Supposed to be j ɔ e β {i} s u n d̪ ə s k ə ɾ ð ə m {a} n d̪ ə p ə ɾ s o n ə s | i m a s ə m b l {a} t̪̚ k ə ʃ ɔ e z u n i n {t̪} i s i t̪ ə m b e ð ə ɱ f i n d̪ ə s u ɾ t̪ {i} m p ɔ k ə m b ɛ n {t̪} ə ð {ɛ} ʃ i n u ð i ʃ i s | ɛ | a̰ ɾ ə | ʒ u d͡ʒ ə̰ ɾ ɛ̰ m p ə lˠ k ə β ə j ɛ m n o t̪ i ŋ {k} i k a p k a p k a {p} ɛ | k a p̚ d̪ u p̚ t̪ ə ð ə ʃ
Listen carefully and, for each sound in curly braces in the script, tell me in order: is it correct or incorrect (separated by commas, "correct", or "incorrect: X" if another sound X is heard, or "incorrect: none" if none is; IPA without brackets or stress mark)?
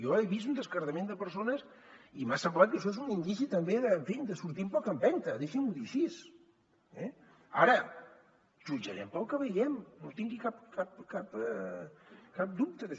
correct, incorrect: e, correct, incorrect: d̪, correct, correct, incorrect: e, incorrect: ɡ, correct